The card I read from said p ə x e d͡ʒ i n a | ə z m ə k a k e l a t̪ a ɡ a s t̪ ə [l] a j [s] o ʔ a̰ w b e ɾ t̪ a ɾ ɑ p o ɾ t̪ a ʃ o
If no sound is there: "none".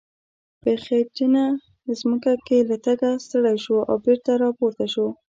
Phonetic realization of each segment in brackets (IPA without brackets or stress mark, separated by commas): ɽ, ʃ